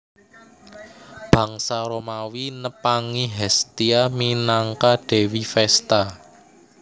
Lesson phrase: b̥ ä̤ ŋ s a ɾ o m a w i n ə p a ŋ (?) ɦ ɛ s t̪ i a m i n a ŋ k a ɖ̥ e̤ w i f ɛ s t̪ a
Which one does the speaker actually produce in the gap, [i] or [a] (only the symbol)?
i